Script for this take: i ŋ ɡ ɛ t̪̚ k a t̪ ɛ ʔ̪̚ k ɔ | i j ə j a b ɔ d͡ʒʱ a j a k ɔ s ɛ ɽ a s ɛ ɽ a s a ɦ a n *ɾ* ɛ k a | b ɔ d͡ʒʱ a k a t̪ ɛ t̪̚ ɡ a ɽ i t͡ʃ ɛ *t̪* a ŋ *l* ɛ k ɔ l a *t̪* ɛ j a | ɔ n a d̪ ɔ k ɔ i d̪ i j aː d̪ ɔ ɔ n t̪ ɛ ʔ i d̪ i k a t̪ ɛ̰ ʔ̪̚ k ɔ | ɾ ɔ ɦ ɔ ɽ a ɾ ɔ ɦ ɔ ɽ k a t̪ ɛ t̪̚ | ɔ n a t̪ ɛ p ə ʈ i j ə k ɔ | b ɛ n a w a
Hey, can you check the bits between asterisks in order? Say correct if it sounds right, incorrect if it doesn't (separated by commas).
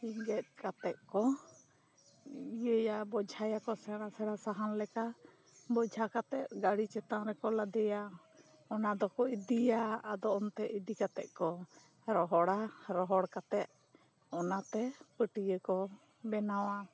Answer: incorrect, correct, incorrect, incorrect